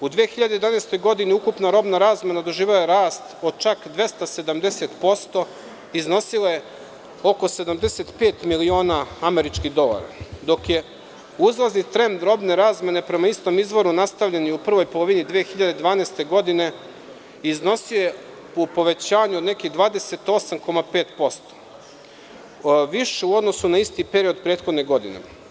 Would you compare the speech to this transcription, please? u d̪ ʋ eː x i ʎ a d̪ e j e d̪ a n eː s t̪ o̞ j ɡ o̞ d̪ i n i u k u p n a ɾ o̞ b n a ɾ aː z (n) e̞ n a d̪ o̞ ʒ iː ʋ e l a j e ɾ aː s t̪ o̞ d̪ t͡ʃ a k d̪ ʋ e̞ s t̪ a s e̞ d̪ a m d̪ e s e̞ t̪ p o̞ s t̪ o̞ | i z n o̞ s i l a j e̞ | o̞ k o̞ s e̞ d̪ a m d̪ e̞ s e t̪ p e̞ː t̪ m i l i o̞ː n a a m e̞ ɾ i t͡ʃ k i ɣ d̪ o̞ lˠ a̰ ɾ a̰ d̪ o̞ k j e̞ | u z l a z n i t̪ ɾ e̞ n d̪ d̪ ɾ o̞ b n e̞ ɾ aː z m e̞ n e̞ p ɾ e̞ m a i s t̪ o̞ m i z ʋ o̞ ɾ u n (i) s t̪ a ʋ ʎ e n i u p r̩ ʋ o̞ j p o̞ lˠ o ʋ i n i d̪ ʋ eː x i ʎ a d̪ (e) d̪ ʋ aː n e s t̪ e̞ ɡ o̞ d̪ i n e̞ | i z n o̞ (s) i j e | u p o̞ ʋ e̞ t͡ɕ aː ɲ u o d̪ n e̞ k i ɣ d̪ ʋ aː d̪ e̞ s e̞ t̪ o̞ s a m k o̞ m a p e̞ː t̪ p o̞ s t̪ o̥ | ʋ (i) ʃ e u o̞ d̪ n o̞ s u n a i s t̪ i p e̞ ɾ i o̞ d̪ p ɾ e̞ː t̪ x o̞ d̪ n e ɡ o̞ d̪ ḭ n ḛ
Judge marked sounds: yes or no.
no, no, yes, yes, yes

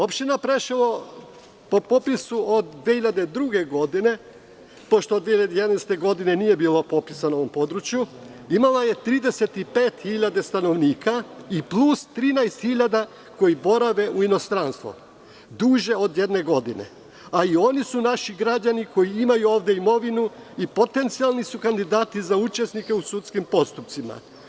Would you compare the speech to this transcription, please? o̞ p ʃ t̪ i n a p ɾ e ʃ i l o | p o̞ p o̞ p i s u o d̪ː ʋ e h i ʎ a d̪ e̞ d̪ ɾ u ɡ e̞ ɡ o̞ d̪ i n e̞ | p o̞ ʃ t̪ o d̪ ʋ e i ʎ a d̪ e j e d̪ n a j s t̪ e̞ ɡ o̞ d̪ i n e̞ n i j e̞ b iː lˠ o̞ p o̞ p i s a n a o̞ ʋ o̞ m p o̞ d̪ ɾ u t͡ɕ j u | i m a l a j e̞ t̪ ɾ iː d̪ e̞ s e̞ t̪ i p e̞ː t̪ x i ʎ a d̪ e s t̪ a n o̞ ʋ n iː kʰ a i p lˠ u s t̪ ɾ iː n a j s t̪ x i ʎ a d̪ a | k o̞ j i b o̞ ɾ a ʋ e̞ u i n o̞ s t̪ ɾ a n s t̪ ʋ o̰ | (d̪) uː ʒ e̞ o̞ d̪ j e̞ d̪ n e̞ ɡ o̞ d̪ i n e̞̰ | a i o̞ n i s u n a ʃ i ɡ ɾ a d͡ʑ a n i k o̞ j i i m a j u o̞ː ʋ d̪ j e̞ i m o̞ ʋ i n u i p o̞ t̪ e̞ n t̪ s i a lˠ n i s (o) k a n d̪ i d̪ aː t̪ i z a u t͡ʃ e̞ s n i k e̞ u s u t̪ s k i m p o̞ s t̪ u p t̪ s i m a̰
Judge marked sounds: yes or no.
yes, no

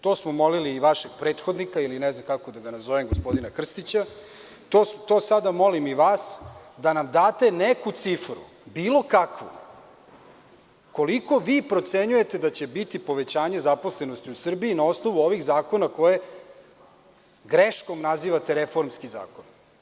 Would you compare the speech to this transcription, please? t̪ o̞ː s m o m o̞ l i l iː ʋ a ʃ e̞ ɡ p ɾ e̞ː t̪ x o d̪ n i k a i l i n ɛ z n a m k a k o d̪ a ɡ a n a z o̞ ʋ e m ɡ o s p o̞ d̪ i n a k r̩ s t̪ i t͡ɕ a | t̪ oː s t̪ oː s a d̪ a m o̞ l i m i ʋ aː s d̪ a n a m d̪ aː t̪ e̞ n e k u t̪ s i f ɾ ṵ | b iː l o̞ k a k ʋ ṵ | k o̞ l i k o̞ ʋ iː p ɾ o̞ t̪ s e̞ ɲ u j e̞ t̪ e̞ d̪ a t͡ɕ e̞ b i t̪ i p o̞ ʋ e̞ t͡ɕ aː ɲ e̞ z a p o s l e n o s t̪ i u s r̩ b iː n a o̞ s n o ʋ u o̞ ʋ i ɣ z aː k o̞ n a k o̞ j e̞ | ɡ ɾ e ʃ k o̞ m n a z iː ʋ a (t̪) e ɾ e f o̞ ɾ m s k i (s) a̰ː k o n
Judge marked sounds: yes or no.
yes, no

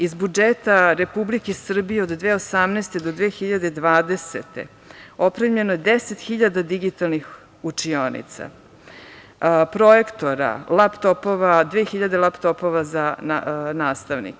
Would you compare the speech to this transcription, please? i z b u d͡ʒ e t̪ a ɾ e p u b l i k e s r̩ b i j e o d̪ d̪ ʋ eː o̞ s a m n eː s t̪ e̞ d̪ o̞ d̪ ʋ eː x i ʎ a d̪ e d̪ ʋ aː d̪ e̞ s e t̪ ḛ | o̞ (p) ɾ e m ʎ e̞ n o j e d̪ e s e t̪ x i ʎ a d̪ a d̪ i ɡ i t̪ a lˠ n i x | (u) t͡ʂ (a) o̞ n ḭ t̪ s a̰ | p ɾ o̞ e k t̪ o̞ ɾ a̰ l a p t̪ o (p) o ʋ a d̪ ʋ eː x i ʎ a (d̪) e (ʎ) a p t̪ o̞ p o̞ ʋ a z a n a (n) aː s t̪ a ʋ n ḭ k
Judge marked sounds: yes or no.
yes, yes, no, yes, yes, no, yes

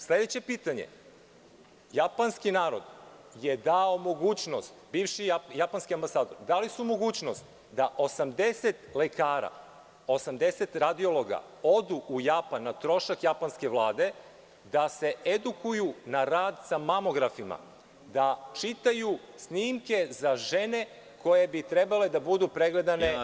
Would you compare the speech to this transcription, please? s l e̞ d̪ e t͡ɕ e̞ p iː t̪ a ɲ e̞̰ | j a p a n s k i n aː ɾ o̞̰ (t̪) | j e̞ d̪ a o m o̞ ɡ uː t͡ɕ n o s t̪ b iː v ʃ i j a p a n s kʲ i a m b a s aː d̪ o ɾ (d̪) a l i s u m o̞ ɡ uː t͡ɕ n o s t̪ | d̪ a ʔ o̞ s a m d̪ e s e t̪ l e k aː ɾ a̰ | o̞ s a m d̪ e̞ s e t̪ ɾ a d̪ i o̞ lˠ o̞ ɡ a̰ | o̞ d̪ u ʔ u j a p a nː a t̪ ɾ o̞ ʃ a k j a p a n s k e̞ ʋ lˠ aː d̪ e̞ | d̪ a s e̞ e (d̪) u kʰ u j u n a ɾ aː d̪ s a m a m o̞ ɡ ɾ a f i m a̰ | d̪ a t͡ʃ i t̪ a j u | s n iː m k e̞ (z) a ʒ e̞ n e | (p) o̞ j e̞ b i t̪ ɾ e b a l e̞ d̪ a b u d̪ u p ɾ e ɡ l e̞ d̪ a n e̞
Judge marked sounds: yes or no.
no, yes, yes, yes, no

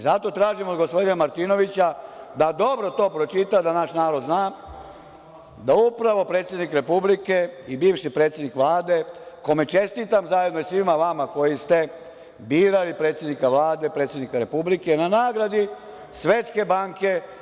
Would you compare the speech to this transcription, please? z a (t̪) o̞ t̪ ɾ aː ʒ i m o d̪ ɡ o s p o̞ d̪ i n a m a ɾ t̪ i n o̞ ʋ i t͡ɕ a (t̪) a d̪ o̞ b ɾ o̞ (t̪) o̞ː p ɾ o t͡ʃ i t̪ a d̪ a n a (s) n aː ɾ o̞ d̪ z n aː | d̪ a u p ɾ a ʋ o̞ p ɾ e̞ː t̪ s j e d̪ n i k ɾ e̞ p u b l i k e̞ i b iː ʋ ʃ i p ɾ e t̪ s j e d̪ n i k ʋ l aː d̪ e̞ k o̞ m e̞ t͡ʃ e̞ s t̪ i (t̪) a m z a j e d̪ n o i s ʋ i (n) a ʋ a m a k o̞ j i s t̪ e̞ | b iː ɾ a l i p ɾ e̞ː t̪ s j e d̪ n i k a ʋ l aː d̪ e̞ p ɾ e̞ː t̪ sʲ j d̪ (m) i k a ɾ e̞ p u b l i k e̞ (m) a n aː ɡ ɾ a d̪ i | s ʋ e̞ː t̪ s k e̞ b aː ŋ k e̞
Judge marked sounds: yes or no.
yes, no, yes, no, yes, no, no, no

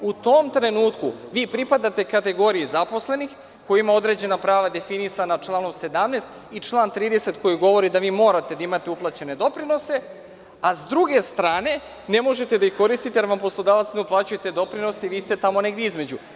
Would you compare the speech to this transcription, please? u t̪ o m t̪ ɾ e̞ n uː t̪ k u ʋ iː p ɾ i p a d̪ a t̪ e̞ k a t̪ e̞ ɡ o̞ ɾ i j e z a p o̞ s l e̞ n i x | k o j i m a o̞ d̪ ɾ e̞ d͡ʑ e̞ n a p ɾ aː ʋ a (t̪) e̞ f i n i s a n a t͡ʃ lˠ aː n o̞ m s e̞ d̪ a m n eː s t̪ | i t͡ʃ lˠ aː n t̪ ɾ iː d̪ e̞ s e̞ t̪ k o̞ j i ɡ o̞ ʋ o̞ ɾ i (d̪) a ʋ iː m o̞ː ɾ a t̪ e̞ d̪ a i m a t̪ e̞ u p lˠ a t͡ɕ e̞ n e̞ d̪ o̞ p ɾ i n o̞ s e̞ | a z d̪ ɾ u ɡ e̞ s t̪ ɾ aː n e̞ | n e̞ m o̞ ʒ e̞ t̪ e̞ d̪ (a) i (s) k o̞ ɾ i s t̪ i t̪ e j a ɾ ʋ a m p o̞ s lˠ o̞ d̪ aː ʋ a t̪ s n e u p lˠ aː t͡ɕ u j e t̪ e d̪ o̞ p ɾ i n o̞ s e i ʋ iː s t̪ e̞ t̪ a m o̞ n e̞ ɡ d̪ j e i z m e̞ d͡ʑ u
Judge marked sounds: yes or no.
no, yes, yes, no

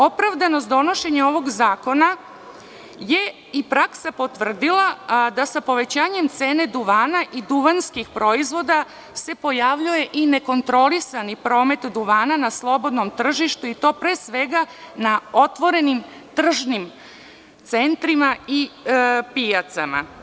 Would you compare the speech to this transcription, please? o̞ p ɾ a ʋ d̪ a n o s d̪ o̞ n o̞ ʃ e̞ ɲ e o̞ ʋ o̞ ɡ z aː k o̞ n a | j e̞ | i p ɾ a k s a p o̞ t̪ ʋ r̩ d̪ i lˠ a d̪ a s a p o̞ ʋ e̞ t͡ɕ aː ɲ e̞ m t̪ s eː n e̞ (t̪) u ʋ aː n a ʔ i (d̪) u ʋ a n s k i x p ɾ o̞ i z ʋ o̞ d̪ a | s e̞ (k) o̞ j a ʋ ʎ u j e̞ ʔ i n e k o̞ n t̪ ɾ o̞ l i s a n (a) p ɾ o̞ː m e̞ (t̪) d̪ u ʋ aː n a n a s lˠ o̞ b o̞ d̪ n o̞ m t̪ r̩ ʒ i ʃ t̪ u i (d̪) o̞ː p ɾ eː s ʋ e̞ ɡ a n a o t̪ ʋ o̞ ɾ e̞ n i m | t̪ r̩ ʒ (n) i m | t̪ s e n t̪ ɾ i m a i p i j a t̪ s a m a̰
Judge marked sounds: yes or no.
no, yes, no, no, yes, no, yes

